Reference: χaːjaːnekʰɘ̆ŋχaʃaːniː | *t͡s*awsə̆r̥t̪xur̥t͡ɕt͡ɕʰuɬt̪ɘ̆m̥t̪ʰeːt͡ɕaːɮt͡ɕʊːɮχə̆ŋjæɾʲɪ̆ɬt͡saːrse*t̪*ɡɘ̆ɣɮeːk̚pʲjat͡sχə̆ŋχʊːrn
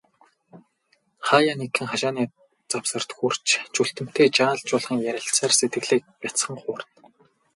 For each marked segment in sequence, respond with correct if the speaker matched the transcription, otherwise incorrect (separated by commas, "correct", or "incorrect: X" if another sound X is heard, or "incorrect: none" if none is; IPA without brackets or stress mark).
correct, correct